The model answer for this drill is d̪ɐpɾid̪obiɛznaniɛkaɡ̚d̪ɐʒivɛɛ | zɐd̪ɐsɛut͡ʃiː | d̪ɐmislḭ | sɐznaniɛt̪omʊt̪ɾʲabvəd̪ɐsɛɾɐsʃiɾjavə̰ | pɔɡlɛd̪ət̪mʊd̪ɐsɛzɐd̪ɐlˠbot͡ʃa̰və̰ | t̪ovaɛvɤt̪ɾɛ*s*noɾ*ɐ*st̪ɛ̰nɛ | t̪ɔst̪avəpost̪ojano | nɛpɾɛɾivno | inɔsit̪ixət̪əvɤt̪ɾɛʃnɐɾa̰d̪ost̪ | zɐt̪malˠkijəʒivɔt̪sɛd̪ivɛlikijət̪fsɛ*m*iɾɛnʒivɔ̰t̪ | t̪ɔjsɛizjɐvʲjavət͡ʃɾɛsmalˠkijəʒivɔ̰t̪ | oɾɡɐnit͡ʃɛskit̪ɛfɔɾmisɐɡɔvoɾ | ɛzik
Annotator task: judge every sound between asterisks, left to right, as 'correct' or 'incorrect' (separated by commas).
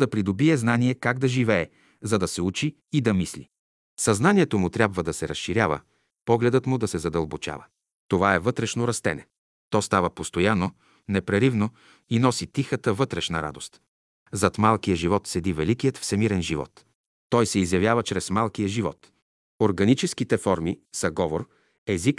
incorrect, correct, correct